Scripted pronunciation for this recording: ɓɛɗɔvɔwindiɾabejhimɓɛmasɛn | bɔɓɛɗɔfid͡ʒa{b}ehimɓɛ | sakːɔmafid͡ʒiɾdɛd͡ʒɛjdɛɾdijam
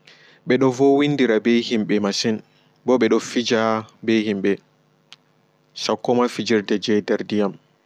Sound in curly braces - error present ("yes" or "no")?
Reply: no